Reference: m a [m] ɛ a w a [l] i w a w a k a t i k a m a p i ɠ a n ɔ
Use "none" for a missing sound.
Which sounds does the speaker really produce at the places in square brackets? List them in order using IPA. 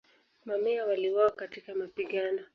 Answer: m, l

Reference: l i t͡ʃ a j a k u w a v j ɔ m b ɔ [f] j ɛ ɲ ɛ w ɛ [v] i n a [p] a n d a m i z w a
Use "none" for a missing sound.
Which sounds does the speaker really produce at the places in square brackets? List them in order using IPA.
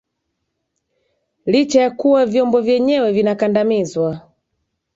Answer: v, v, k

